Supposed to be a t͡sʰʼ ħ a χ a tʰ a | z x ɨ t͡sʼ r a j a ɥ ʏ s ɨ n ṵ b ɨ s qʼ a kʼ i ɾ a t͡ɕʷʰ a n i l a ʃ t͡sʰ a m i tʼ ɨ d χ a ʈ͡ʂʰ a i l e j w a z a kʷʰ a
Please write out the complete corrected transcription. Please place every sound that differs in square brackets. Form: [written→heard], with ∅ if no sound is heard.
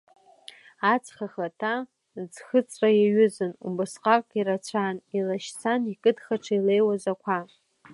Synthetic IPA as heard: a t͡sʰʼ [ħ→χ] a χ a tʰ a | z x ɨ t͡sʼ r a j a ɥ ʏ [s→z] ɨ n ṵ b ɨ s qʼ a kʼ i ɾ a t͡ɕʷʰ a n i l a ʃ t͡sʰ a [m→n] i [tʼ→kʼ] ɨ d χ a ʈ͡ʂʰ a i l e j w a z a kʷʰ a